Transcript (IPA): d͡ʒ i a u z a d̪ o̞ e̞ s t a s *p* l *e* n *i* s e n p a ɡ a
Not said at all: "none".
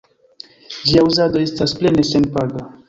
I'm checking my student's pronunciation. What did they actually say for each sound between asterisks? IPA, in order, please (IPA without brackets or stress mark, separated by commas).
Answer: p, e, e